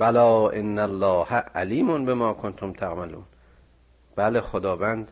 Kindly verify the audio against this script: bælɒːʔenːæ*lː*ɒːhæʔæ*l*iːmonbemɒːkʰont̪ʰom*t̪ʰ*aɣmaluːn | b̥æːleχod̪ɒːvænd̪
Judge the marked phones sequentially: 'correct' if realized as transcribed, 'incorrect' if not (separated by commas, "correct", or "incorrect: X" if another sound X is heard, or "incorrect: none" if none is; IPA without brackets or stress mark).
correct, correct, correct